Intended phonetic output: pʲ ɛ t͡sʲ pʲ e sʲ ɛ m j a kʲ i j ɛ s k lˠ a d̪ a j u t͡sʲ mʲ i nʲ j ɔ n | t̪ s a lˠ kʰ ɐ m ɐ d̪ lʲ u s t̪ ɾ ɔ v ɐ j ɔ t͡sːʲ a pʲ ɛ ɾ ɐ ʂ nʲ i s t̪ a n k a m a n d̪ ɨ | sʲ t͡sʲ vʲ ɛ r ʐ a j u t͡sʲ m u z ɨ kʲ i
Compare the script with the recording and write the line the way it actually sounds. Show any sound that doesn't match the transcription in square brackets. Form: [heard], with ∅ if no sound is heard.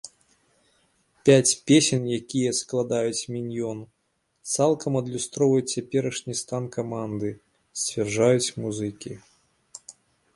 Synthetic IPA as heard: pʲ [a] t͡sʲ pʲ e sʲ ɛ [n] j a kʲ i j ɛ s k lˠ a d̪ a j u t͡sʲ mʲ i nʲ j ɔ n | t̪ s a lˠ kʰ ɐ m ɐ d̪ lʲ u s t̪ ɾ ɔ v ɐ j [u] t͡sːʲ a pʲ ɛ ɾ ɐ ʂ nʲ i s t̪ a n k a m a n d̪ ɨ | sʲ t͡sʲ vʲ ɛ r ʐ a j u t͡sʲ m u z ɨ kʲ i